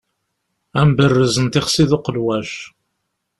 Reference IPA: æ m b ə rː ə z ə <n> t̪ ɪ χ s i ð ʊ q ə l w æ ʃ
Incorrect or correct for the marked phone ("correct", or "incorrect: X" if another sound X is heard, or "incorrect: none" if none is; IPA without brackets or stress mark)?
correct